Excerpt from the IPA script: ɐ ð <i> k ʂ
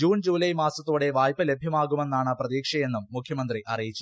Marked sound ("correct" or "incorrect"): incorrect